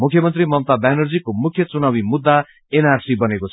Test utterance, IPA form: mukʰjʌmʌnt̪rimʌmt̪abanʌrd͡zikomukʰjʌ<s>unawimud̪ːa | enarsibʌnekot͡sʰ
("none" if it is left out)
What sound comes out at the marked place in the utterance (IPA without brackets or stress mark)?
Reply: t͡s